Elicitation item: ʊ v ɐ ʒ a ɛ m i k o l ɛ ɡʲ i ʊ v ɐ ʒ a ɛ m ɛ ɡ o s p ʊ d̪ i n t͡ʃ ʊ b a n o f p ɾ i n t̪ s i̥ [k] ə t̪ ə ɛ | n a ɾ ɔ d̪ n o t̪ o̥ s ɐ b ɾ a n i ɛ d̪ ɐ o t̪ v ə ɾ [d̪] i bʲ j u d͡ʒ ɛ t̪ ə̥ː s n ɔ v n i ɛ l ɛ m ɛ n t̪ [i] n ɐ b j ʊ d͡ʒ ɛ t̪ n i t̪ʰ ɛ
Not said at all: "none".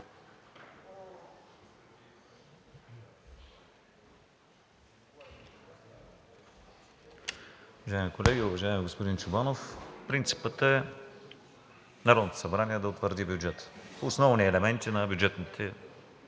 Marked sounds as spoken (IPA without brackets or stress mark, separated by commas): p, d̪, i